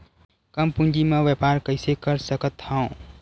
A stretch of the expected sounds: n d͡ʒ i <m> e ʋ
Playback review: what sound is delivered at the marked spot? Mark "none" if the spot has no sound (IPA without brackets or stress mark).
m